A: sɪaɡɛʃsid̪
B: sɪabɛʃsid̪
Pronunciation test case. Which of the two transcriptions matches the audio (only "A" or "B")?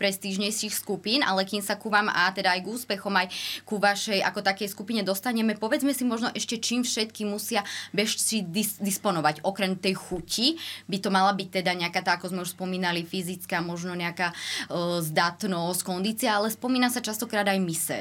B